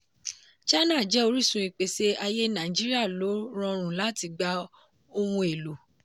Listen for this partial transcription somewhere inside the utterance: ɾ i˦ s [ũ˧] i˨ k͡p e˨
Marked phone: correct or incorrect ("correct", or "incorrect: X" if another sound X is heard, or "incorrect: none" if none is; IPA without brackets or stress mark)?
correct